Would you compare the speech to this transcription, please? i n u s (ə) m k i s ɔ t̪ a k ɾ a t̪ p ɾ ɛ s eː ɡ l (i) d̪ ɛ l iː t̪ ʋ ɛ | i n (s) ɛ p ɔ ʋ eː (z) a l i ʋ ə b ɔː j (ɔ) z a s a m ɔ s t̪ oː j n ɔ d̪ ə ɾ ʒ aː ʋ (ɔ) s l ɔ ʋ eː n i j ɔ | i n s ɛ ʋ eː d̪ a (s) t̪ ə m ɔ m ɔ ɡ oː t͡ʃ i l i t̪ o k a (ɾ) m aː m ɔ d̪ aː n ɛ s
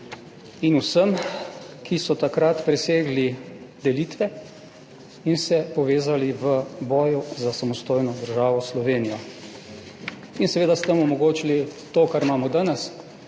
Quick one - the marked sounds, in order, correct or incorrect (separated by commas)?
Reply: correct, correct, correct, correct, incorrect, correct, correct, correct